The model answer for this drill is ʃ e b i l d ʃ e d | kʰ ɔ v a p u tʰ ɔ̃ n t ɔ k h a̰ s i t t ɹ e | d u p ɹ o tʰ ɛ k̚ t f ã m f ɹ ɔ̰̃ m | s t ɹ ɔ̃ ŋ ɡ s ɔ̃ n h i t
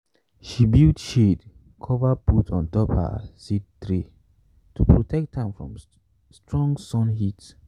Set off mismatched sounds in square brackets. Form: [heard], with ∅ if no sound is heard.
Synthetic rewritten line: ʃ [i] b i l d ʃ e d | kʰ ɔ v a p u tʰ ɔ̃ n t ɔ [p] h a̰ s i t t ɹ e | [t] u p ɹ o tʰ ɛ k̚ t [h] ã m f ɹ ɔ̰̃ m | s t ɹ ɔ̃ ŋ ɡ s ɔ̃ n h i t